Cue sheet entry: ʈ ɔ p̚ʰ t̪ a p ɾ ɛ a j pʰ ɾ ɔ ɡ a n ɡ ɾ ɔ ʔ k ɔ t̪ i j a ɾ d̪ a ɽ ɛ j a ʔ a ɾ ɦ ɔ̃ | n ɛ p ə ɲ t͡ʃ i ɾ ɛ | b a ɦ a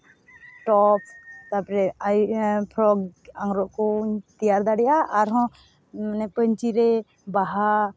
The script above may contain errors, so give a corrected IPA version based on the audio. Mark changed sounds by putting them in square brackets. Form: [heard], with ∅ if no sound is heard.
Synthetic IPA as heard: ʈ ɔ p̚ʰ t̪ a p ɾ ɛ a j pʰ ɾ ɔ ɡ a [ŋ] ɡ ɾ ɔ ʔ k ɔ t̪ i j a ɾ d̪ a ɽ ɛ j a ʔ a ɾ ɦ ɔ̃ | n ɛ p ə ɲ t͡ʃ i ɾ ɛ | b a ɦ a